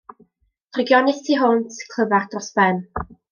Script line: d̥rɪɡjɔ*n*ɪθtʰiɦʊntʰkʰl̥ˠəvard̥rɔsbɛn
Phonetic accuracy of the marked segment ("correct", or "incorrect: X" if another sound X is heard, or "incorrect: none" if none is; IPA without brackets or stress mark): correct